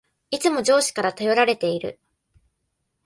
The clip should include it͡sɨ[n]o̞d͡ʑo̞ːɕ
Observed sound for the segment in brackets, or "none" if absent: m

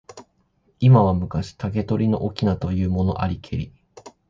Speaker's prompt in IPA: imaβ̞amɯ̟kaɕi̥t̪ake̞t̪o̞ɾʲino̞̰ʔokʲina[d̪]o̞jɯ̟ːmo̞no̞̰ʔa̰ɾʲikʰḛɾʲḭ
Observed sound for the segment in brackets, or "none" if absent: t̪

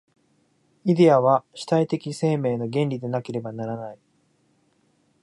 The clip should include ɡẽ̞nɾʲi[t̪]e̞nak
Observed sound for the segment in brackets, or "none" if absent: d̪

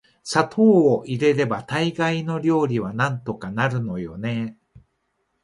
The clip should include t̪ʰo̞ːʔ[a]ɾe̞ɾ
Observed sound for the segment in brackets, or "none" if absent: i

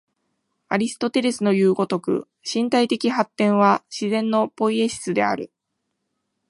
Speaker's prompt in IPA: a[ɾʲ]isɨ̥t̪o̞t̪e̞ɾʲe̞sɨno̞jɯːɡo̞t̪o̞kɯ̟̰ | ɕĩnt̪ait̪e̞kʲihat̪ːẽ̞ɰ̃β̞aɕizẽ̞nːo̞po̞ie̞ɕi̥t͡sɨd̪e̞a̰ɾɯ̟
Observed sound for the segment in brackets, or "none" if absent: ɾʲ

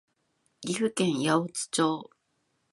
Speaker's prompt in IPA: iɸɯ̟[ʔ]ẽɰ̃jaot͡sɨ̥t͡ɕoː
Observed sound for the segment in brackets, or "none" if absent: k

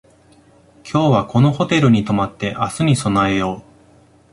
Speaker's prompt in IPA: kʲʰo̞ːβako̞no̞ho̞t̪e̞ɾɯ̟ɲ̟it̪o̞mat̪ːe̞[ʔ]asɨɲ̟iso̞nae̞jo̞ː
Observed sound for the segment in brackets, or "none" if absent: ʔ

